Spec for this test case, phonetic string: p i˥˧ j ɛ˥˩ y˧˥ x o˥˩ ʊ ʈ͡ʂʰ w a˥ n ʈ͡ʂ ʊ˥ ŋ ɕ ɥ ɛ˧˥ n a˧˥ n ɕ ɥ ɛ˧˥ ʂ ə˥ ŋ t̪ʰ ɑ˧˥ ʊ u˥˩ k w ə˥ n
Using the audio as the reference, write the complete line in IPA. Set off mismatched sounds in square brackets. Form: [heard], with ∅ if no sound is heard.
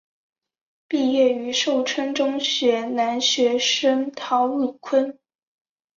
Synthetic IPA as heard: p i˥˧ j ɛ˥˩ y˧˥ [ʂ] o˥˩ ʊ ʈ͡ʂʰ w [ə˥] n ʈ͡ʂ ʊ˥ ŋ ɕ ɥ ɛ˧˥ n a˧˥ n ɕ ɥ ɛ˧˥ ʂ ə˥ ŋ t̪ʰ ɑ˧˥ ʊ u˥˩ [kʰ] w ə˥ n